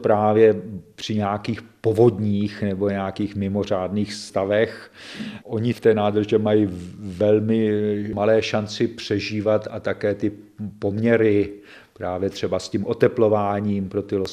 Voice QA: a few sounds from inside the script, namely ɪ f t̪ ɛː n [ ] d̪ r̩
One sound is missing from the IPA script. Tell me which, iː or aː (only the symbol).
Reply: aː